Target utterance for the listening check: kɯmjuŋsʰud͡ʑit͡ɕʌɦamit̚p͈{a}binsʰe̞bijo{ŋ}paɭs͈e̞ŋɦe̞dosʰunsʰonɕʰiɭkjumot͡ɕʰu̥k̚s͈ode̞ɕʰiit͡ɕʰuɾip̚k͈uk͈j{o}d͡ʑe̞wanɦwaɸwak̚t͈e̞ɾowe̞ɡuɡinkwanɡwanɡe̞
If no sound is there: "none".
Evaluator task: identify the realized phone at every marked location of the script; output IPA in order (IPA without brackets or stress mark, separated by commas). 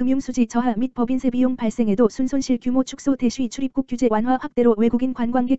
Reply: ʌ, ŋ, u